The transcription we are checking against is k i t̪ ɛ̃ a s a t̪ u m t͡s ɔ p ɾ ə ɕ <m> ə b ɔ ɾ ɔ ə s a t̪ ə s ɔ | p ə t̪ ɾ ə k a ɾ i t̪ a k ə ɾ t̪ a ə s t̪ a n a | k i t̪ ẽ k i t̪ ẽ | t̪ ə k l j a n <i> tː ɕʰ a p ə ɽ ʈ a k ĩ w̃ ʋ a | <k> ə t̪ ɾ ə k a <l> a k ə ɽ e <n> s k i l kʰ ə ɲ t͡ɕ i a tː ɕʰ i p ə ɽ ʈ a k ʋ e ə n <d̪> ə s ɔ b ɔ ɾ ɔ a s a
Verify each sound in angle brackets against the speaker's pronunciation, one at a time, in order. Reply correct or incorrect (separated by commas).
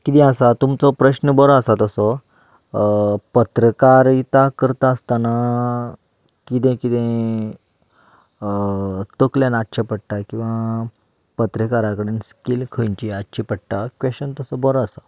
incorrect, incorrect, incorrect, incorrect, correct, incorrect